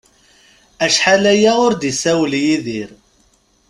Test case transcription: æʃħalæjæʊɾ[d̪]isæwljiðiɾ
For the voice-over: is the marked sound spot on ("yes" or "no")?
yes